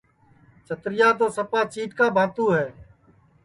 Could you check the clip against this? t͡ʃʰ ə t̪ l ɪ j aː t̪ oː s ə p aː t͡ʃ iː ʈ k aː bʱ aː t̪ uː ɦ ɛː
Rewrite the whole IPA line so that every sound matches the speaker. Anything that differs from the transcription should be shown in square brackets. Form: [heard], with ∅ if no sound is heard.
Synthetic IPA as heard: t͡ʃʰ ə t̪ [ɾ] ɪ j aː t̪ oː s ə p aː t͡ʃ iː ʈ k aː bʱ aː t̪ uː ɦ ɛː